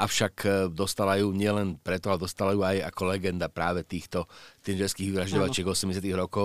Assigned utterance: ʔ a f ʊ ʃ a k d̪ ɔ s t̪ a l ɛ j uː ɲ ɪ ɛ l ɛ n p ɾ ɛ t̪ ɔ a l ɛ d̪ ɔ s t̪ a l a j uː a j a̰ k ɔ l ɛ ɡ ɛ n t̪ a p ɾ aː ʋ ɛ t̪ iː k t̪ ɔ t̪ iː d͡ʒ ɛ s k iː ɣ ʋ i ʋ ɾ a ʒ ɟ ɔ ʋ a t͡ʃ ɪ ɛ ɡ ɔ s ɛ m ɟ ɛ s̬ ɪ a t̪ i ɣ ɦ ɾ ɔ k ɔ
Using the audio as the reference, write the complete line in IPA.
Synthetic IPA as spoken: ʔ a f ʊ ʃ a k d̪ ɔ s t̪ a l a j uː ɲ ɪ ɛ l ɛ n p ɾ ɛ t̪ ɔ a l ɛ d̪ ɔ s t̪ a l a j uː a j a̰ k ɔ l ɛ ɡ ɛ n d̪ a p ɾ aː ʋ ɛ t̪ iː x t̪ ɔ t̪ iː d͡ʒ ɛ s k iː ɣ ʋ i ʋ ɾ a ʒ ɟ ɔ ʋ a t͡ʃ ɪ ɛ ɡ ɔ s ɛ m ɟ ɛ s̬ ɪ a t̪ i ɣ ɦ ɾ ɔ k ɔ